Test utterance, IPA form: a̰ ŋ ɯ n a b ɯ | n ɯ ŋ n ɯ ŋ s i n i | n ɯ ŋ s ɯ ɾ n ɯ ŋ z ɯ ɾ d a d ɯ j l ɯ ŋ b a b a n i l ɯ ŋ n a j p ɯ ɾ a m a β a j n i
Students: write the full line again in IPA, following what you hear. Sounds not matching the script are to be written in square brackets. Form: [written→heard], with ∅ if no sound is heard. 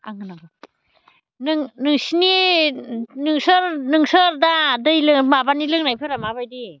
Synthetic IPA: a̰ ŋ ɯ n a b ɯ | n ɯ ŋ n ɯ ŋ s i n i | n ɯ ŋ s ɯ ɾ n ɯ ŋ [z→s] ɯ ɾ d a d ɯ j l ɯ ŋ [b→m] a b a n i l ɯ ŋ n a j [p→pʰ] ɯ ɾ a m a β a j [n→d] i